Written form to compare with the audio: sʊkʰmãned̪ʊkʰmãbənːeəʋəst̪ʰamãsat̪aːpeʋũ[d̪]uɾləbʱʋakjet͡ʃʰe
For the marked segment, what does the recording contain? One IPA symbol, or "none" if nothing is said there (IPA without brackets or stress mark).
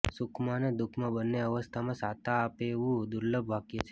d̪